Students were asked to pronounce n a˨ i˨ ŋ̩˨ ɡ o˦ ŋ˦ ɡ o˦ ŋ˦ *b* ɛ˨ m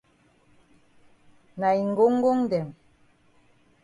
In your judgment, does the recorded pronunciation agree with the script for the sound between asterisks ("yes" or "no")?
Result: no